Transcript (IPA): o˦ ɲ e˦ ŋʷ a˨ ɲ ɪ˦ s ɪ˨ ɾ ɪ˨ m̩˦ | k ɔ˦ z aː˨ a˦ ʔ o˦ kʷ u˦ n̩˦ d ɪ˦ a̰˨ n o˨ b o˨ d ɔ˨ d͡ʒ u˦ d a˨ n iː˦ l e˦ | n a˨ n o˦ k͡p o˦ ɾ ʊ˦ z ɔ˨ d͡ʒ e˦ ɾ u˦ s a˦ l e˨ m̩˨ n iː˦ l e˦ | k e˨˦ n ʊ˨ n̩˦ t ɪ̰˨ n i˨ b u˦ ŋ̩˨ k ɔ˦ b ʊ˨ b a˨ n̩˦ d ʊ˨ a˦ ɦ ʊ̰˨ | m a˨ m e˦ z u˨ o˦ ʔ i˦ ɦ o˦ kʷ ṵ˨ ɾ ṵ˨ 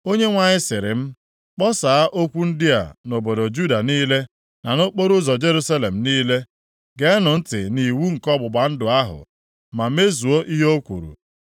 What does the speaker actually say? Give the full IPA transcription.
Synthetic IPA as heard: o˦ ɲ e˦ ŋʷ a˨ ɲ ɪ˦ s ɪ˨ ɾ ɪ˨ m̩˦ | k͡p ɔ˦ s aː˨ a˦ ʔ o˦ kʷ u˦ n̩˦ d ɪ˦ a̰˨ n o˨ b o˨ d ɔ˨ d͡ʒ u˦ d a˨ n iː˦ l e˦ | n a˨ n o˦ k͡p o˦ ɾ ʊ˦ z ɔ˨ d͡ʒ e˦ ɾ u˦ s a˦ l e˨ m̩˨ n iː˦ l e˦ | ɡ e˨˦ n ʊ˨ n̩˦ t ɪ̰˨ n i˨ w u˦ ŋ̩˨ k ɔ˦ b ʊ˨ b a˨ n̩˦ d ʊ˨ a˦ ɦ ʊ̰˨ | m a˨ m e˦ z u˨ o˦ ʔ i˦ ɦ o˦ kʷ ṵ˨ ɾ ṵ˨

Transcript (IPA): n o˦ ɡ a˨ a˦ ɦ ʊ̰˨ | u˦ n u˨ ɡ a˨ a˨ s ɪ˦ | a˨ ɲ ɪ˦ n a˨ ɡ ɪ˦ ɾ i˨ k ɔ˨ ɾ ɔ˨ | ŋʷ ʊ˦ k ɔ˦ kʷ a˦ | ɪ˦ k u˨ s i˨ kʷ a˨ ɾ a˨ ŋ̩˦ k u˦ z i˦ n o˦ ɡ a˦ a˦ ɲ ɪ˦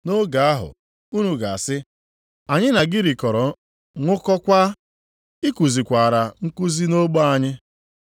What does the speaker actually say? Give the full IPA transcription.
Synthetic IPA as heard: n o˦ ɡ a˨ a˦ ɦ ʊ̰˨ | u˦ n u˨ ɡ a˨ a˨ s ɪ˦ | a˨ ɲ ɪ˦ n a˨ ɡ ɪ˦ ɾ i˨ k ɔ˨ ɾ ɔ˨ | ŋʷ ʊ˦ k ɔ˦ kʷ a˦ | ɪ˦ k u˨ z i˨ kʷ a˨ ɾ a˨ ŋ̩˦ k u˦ z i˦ n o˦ ɡ͡b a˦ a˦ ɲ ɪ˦

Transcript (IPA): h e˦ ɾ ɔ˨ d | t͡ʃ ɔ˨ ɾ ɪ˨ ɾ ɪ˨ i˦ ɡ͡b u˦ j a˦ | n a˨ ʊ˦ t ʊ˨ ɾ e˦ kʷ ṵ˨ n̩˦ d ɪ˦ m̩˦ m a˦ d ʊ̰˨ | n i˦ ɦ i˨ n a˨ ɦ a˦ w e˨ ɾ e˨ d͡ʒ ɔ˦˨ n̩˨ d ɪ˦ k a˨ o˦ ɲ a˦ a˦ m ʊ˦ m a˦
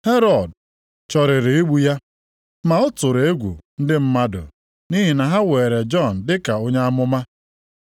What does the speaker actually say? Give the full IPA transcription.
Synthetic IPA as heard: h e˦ ɾ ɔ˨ d | t͡ʃ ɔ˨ ɾ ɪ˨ ɾ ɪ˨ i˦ ɡ͡b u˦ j a˦ | m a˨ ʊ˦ t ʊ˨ ɾ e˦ ɡʷ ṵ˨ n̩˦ d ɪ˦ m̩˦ m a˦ d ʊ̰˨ | n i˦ ɦ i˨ n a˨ ɦ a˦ w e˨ ɾ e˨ d͡ʒ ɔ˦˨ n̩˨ d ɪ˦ k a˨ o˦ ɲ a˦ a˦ m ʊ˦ m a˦

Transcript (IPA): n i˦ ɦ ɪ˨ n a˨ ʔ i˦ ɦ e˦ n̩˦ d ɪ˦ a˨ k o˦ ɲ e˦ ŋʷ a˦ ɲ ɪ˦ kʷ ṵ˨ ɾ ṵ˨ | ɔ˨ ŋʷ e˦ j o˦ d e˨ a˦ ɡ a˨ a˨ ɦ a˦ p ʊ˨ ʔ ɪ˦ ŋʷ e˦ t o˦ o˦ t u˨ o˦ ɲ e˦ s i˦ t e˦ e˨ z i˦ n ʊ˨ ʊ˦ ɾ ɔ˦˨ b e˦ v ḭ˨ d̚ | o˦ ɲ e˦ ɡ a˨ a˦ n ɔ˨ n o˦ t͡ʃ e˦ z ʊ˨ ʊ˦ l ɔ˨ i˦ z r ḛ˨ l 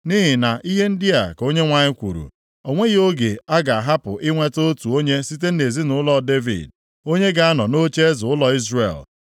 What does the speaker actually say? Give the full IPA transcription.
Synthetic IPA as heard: n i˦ ɦ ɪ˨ n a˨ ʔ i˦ ɦ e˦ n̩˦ d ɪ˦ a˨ k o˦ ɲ e˦ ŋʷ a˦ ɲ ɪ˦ kʷ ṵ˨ ɾ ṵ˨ | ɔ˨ ŋʷ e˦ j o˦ ɡ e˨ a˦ ɡ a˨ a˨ ɦ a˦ p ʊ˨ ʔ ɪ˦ ŋʷ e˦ t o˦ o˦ t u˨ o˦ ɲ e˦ s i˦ t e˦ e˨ z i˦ n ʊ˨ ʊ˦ l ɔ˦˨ d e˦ v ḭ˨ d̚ | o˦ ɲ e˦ ɡ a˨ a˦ n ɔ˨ n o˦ t͡ʃ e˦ z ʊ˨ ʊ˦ l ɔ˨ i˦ z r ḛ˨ l

